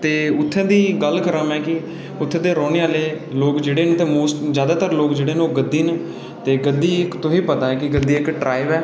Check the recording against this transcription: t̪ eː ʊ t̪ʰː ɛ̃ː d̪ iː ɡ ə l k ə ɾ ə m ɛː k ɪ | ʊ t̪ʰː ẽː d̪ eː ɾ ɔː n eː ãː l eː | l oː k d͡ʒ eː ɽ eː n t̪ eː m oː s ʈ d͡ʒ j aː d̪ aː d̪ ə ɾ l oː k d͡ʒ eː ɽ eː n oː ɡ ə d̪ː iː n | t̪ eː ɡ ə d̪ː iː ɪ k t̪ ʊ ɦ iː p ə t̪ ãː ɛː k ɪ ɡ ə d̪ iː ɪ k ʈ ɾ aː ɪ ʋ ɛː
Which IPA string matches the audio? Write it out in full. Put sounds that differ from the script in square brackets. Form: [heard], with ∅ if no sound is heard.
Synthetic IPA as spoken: t̪ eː ʊ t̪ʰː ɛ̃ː d̪ iː ɡ ə l k ə ɾ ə m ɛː k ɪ | ʊ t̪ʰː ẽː d̪ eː ɾ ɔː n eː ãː l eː | l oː k d͡ʒ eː ɽ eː n t̪ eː m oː s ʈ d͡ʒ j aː d̪ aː [t̪] ə ɾ l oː k d͡ʒ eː ɽ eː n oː ɡ ə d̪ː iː n | t̪ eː ɡ ə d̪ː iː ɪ k t̪ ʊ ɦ iː p ə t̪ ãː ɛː k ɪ ɡ ə d̪ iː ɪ k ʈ ɾ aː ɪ ʋ ɛː